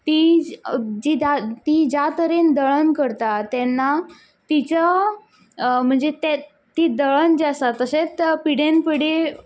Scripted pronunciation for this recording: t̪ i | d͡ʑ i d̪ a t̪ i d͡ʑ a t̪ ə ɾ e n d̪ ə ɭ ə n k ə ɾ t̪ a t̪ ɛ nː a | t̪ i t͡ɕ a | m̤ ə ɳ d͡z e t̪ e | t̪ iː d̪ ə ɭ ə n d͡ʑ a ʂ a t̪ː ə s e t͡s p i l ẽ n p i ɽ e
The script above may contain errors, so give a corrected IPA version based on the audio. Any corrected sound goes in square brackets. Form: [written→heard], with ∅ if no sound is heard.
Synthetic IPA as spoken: t̪ i | d͡ʑ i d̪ a t̪ i d͡ʑ a t̪ ə ɾ e n d̪ ə ɭ ə n k ə ɾ t̪ a t̪ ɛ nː a | t̪ i t͡ɕ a | m̤ ə ɳ d͡z e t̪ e | t̪ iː d̪ ə ɭ ə n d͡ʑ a [ʂ→s] a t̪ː ə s e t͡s p i [l→ɽ] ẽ n p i ɽ e